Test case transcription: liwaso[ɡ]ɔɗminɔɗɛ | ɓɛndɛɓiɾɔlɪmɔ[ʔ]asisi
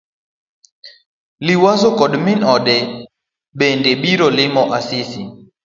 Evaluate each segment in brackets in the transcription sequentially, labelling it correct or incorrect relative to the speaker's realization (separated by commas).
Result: incorrect, correct